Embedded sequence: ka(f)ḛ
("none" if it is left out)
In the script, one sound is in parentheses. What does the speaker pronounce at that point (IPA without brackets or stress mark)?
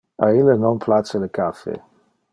f